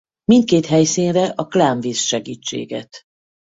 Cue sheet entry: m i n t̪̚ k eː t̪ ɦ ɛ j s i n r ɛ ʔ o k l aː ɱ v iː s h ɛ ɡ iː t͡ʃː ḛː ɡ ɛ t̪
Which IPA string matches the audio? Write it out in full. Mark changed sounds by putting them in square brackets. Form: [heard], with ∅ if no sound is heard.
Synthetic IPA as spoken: m i n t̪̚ k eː t̪ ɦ ɛ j s i n r ɛ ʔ [ɒ] k l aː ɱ v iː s [ʃ] ɛ ɡ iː t͡ʃː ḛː ɡ ɛ t̪